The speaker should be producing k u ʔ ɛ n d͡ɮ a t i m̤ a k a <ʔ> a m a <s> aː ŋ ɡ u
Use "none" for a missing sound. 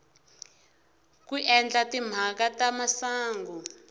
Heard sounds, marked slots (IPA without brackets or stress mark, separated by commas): t, s